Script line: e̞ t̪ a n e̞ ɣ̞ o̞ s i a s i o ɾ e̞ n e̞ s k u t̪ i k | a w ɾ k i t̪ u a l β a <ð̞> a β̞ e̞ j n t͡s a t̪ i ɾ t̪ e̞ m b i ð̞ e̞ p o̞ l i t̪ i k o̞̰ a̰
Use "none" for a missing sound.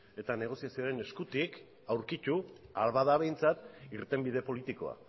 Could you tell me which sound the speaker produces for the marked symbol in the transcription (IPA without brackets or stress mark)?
ð̞